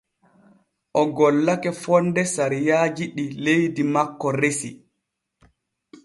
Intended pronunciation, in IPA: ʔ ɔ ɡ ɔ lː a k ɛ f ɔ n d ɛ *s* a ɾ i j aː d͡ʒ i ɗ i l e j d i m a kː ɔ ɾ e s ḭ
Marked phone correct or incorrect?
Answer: correct